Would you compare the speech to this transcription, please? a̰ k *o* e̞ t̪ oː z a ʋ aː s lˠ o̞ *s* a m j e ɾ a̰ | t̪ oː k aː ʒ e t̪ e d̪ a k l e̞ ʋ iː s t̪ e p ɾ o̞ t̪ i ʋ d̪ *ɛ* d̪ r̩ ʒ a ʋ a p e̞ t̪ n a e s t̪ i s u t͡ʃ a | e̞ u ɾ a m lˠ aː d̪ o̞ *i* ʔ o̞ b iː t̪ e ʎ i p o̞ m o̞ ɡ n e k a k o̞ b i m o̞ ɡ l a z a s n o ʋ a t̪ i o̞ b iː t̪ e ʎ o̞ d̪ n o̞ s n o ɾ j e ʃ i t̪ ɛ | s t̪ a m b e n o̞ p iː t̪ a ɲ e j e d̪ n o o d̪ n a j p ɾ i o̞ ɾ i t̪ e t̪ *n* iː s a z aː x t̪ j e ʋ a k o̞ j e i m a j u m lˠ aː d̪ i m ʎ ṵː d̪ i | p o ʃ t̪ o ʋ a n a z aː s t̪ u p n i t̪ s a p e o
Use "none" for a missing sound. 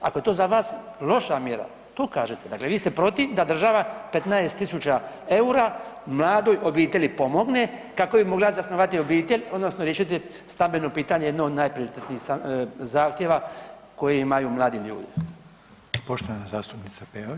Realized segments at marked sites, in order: o, ʃ, a, j, n

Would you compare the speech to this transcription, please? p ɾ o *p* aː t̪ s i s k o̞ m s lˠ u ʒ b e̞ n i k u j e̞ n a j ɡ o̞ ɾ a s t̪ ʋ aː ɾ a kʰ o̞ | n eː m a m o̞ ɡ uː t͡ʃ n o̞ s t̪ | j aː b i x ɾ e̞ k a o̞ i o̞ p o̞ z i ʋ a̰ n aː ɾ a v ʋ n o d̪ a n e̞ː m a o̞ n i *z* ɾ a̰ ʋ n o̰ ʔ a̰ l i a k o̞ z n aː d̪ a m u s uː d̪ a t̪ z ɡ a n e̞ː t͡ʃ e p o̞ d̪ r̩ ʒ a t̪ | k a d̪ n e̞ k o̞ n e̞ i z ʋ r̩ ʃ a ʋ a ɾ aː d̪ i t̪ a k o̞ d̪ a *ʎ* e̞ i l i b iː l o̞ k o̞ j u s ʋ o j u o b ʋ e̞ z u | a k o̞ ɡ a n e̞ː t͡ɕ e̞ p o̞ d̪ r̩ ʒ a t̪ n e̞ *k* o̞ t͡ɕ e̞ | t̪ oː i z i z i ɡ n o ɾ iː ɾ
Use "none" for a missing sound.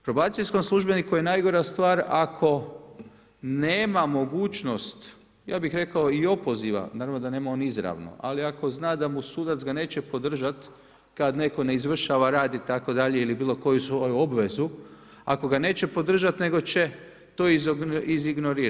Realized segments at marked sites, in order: b, z, ʎ, ɡ

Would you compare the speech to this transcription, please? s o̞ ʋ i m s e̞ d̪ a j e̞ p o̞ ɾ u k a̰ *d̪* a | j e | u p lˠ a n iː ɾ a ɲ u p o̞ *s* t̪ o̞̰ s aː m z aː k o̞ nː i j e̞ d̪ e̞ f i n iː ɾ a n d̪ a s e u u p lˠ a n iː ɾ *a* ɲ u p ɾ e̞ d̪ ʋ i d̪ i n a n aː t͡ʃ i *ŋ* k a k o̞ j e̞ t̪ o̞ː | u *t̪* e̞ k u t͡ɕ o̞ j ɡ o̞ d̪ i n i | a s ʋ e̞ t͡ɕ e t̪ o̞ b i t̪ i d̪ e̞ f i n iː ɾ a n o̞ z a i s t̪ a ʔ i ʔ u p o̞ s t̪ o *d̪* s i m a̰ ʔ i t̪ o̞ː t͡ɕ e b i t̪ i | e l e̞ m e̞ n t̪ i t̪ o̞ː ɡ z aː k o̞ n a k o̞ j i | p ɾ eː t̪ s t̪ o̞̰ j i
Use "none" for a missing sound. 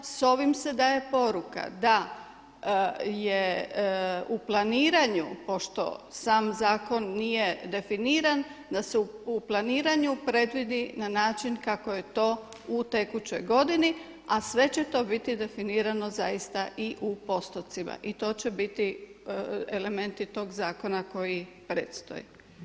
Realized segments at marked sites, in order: d̪, ʃ, a, n, t̪, t̪

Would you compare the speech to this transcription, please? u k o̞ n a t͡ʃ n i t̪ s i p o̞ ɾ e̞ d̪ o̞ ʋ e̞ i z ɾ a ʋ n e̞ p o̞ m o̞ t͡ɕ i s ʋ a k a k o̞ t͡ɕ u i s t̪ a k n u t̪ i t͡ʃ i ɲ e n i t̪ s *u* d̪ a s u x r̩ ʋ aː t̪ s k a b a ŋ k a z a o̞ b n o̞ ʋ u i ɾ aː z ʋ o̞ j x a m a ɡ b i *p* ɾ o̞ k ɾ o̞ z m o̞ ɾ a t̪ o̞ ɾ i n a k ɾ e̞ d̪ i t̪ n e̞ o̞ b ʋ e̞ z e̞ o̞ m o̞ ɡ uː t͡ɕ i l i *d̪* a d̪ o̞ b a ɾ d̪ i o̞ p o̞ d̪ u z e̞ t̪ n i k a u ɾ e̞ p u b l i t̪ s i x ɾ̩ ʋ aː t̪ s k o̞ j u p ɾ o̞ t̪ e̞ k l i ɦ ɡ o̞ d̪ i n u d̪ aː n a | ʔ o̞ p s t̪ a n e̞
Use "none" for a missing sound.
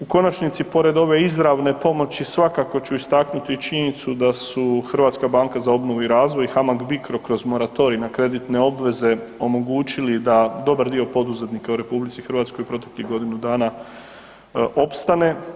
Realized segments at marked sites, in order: u, k, d̪

